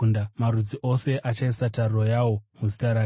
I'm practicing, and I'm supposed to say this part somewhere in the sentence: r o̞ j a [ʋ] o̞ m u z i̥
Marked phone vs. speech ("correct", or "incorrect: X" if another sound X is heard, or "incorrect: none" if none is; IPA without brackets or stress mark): incorrect: w